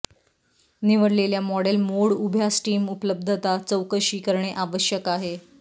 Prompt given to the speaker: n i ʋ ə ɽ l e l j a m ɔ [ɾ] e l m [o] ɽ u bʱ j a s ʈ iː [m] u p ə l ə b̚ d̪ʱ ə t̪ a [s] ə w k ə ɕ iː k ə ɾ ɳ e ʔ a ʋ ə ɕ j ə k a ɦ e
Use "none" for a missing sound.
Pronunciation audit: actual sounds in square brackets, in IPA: ɽ, o, m, t͡s

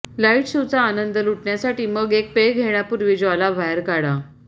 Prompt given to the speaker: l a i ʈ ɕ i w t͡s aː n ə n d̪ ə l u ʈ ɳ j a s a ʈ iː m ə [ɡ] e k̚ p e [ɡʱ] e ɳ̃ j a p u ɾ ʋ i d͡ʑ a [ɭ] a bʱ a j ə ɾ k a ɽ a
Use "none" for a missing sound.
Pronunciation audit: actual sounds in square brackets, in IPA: ɡ, ɡʱ, l

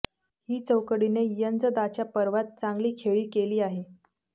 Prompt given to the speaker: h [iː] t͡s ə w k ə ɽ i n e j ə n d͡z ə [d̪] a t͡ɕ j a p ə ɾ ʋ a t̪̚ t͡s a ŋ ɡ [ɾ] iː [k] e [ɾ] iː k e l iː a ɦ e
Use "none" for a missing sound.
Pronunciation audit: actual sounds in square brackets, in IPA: iː, d̪, l, kʰ, ɭ

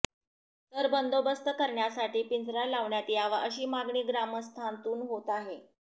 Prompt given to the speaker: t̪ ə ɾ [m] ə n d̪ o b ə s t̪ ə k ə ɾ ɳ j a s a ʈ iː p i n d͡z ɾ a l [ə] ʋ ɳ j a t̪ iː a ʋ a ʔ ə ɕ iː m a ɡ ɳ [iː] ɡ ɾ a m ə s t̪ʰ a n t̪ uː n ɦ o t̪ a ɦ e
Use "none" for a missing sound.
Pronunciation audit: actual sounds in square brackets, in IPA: b, a, iː

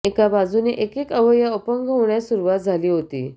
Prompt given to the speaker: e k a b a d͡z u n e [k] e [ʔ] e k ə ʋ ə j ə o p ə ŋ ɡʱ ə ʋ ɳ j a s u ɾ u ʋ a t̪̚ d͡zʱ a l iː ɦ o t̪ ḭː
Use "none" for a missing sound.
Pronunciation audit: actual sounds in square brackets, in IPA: ʔ, k

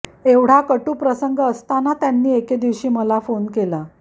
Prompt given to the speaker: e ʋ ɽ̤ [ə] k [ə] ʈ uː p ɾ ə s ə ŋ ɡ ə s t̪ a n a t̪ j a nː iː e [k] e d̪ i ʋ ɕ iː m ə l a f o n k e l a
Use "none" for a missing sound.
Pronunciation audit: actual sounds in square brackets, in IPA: a, ə, k

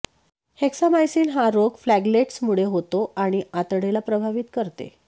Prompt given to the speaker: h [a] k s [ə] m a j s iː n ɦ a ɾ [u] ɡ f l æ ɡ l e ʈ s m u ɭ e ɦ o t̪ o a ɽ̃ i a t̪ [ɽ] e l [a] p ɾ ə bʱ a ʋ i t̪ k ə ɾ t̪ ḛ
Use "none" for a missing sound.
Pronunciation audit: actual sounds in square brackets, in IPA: e, a, o, ɽ, a

